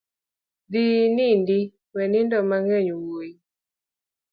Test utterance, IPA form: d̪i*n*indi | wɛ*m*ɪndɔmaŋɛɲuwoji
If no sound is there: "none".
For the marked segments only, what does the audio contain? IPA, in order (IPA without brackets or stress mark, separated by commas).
n, n